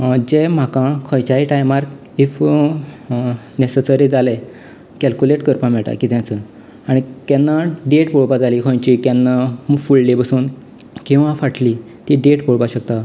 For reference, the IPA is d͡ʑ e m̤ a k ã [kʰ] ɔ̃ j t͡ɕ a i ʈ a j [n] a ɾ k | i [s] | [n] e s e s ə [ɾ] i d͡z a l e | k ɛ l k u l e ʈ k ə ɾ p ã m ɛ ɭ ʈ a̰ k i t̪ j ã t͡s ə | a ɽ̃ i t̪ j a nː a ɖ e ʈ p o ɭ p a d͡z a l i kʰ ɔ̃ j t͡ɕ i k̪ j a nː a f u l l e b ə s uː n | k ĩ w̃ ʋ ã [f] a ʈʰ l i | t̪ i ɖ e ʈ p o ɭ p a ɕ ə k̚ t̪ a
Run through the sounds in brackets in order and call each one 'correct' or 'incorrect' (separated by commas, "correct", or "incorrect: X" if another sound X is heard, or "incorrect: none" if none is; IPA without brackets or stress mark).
correct, incorrect: m, incorrect: f, correct, correct, correct